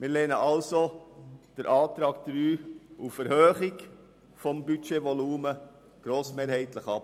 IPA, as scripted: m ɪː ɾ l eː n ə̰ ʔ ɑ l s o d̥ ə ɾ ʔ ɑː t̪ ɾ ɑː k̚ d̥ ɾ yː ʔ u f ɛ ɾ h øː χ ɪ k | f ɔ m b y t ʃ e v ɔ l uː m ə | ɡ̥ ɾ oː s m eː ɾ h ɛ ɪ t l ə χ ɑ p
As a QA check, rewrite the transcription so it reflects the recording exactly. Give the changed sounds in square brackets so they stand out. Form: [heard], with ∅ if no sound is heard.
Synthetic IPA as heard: m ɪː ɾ l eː n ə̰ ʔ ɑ l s o d̥ ə ɾ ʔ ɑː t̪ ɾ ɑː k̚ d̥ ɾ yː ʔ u f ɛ ɾ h øː χ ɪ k | f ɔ m b y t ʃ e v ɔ l uː m ə | ɡ̥ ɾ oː s m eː ɾ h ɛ ɪ t l ə χ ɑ p